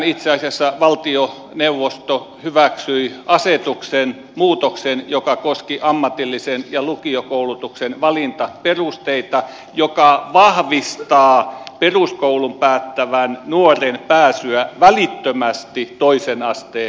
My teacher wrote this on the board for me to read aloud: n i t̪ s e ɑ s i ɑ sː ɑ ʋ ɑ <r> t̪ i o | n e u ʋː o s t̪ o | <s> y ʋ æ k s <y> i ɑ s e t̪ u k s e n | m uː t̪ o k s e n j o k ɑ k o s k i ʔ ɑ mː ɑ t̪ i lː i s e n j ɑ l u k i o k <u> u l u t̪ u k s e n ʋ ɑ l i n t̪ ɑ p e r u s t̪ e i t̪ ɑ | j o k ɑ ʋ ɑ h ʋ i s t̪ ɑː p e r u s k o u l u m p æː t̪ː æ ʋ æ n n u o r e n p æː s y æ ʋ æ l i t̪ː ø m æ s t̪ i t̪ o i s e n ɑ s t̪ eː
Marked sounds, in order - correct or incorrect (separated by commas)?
incorrect, incorrect, correct, incorrect